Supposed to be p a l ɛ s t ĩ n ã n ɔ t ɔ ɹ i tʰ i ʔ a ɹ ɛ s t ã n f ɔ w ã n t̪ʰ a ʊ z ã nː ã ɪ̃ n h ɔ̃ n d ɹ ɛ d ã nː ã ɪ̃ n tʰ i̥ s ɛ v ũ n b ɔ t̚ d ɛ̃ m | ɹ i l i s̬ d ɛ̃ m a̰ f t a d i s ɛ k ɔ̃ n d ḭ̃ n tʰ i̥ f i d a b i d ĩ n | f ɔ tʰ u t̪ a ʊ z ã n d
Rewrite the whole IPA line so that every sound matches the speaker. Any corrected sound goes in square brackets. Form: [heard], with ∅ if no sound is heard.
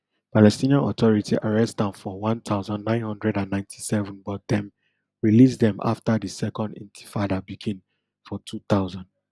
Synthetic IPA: p a l ɛ s t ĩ n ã n ɔ t ɔ ɹ i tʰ i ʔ a ɹ ɛ s t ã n f ɔ w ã n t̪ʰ a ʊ z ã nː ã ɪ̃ n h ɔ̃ n d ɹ ɛ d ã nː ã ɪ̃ n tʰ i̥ s ɛ v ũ n b ɔ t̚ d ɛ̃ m | ɹ i l i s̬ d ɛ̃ m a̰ f t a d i s ɛ k ɔ̃ n d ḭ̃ n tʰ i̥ f [a] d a b i [ɡ] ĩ n | f ɔ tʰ u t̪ a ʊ z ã n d